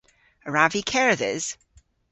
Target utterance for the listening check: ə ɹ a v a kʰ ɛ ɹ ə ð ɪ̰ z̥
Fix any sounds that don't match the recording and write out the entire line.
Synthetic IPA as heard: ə ɹ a v i kʰ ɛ ɹ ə ð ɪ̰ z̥